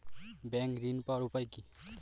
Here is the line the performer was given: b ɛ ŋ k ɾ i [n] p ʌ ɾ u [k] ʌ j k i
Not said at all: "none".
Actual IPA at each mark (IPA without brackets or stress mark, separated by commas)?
n, p